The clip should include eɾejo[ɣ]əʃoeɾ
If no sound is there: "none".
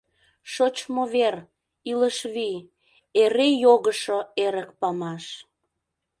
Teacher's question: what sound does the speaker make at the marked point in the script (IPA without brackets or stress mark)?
ɣ